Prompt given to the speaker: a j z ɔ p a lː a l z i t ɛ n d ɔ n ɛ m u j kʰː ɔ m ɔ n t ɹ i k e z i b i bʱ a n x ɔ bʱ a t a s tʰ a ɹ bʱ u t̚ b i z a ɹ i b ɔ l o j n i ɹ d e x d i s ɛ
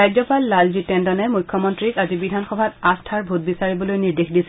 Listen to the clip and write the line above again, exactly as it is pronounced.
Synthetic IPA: a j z ɔ p a lː a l z i t ɛ n d ɔ n ɛ m u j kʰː ɔ m ɔ n t ɹ i k a z i b i dʱ a n x ɔ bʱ a t a s tʰ a ɹ bʱ u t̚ b i s a ɹ i b ɔ l o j n i ɹ d e x d i s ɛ